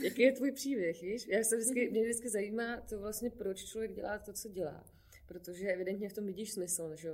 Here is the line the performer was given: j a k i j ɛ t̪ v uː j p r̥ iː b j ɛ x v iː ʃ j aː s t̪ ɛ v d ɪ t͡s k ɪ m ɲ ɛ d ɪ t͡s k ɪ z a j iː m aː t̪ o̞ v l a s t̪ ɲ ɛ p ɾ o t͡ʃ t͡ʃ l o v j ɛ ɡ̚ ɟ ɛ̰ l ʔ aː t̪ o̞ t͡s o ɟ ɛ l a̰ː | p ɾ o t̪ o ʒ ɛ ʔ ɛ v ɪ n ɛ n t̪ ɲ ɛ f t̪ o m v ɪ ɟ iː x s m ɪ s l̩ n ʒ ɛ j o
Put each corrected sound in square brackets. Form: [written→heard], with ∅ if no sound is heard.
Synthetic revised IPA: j a k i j ɛ t̪ v uː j p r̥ iː b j ɛ x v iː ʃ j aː s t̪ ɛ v d ɪ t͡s k ɪ m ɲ ɛ d ɪ t͡s k ɪ z a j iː m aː t̪ o̞ v l a s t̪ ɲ ɛ p ɾ o t͡ʃ t͡ʃ l o v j ɛ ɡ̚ ɟ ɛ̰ l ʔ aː t̪ o̞ t͡s o ɟ ɛ l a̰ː | p ɾ o t̪ o ʒ ɛ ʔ ɛ v ɪ [n→d] ɛ n t̪ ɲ ɛ f t̪ o m v ɪ ɟ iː [x→ʃ] s m ɪ s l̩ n ʒ ɛ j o